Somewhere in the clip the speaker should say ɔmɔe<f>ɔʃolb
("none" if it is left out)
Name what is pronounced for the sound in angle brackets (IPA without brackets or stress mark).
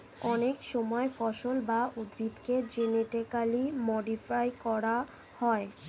f